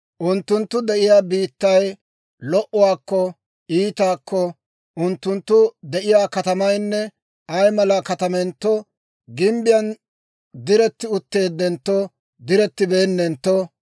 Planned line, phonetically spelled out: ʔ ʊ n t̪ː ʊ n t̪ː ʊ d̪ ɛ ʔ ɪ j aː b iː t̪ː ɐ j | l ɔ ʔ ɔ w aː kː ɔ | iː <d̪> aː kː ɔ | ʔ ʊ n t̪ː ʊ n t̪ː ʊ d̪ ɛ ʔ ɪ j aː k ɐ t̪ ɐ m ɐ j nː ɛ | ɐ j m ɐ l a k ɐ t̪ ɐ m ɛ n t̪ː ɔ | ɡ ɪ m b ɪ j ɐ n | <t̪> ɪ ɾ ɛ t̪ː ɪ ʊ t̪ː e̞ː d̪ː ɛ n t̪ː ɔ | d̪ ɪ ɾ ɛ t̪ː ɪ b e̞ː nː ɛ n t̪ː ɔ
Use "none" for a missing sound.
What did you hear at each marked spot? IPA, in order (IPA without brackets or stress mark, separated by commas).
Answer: t̪, d̪